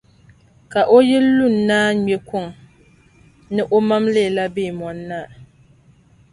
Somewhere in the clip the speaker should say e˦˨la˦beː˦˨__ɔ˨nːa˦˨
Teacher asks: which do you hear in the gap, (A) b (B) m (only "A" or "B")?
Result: B